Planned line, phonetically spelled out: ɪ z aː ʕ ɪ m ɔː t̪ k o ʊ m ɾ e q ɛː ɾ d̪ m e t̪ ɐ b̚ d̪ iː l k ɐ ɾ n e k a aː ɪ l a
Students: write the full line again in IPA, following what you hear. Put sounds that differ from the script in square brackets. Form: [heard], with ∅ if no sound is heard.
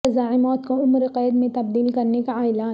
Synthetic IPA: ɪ z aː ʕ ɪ m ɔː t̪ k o ʊ m ɾ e q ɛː [∅] d̪ m [ẽ] t̪ ɐ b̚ d̪ iː l k ɐ ɾ n e k a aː ɪ l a